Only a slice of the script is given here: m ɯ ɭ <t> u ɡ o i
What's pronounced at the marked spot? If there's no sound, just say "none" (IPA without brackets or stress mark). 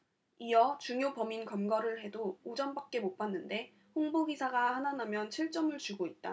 t͡ɕ